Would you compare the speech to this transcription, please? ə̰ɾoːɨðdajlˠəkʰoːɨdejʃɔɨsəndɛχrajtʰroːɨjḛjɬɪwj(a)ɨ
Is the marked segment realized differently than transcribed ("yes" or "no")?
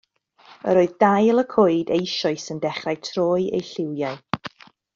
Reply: no